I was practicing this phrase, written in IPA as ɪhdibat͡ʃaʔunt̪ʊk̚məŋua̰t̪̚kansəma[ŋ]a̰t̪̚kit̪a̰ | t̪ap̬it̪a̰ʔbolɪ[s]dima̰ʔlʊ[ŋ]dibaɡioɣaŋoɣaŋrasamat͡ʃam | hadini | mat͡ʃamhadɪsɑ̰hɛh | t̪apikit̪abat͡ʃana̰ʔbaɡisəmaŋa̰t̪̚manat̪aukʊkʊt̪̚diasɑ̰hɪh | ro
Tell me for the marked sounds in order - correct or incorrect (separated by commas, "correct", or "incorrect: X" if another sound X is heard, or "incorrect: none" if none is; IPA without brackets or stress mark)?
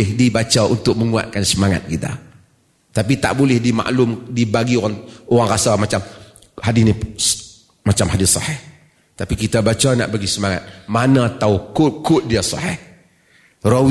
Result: correct, incorrect: h, incorrect: m